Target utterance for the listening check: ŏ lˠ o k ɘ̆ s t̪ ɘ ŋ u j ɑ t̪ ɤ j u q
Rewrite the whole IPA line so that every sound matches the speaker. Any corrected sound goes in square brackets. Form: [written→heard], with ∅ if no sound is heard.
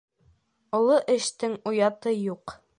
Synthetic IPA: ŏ lˠ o [k→ʔ] ɘ̆ [s→ʃ] t̪ ɘ ŋ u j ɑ t̪ ɤ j u q

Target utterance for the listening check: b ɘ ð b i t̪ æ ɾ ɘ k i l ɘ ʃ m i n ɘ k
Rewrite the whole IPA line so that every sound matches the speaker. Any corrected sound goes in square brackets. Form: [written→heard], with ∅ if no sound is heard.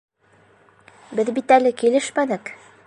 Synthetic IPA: b ɘ ð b i t̪ æ [ɾ→l] ɘ k i l ɘ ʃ m [i→æ] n ɘ k

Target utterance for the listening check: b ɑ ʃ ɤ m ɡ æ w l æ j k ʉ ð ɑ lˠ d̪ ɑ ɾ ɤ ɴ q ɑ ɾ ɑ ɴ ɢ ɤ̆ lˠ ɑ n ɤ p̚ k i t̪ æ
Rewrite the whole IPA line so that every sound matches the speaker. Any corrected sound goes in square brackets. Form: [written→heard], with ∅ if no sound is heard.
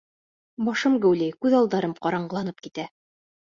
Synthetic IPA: b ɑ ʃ ɤ m ɡ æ w l æ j k ʉ ð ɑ lˠ d̪ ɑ ɾ ɤ [ɴ→m] q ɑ ɾ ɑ ɴ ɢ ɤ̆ lˠ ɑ n ɤ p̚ k i t̪ æ

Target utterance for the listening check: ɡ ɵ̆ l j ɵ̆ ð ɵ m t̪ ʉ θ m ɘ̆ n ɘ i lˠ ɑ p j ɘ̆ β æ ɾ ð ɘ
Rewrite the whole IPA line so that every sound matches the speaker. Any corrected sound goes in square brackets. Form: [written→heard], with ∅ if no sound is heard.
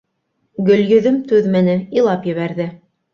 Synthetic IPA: ɡ ɵ̆ l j ɵ̆ ð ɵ m t̪ ʉ [θ→ð] m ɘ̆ n ɘ i lˠ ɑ p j ɘ̆ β æ ɾ ð ɘ

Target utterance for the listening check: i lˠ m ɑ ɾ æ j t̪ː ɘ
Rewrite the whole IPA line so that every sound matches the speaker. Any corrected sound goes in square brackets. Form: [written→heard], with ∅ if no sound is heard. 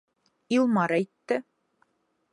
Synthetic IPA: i lˠ m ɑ ɾ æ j t̪ː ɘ

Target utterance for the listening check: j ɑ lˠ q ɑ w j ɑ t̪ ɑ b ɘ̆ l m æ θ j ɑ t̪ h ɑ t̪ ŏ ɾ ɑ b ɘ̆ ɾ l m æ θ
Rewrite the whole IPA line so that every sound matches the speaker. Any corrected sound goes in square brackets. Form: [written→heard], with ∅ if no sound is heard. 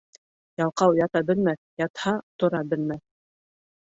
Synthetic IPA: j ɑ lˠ q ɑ w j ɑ t̪ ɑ b ɘ̆ l m æ θ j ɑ t̪ h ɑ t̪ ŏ ɾ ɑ b ɘ̆ [ɾ→∅] l m æ θ

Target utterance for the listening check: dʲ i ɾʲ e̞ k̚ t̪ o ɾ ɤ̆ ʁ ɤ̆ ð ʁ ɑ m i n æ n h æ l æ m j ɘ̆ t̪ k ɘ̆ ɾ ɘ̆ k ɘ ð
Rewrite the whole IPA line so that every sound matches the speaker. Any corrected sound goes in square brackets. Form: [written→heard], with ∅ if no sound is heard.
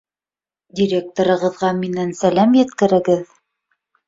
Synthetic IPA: dʲ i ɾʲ e̞ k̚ t̪ o ɾ ɤ̆ ʁ ɤ̆ ð ʁ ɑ m i n æ n [h→s] æ l æ m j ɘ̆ t̪ k ɘ̆ ɾ ɘ̆ [k→ɡ] ɘ ð

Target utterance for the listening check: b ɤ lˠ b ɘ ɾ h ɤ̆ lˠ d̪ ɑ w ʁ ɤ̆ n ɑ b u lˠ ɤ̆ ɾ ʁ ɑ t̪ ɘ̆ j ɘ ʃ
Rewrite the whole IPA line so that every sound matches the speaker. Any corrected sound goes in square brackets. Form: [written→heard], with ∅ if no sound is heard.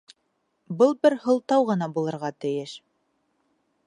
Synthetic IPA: b ɤ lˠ b ɘ ɾ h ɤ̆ lˠ [d̪→t̪] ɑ w ʁ ɤ̆ n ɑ b u lˠ ɤ̆ ɾ ʁ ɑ t̪ ɘ̆ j ɘ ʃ

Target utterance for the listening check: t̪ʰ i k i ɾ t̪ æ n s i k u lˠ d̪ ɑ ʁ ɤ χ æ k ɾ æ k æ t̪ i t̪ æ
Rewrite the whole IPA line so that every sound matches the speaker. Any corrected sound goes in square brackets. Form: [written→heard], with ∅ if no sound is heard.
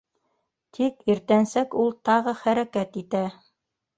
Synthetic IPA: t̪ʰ i k i ɾ t̪ æ n s [i→æ] k u lˠ [d̪→t̪] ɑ ʁ ɤ χ æ [k→∅] ɾ æ k æ t̪ i t̪ æ

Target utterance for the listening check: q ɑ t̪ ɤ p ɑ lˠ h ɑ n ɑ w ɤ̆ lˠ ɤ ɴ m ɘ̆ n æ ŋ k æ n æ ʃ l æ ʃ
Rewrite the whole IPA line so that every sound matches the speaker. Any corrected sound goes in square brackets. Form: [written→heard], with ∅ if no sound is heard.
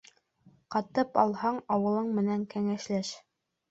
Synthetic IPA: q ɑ t̪ ɤ p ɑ lˠ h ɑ [n→ɴ] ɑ w ɤ̆ lˠ ɤ ɴ m ɘ̆ n æ ŋ k æ [n→ŋ] æ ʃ l æ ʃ

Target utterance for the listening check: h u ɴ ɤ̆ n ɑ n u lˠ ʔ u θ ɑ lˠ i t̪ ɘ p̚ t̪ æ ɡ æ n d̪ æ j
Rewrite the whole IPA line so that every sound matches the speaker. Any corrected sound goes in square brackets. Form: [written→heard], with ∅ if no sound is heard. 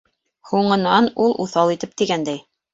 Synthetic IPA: h u ɴ ɤ̆ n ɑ n u lˠ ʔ u θ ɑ lˠ i t̪ ɘ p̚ t̪ [æ→i] ɡ æ n d̪ æ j

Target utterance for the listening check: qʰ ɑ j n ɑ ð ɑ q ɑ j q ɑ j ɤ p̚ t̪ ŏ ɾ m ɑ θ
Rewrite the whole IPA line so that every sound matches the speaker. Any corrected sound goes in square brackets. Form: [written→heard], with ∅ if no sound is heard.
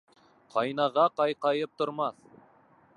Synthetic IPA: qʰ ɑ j n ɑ [ð→ʁ] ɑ q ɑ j q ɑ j ɤ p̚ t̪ ŏ ɾ m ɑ θ

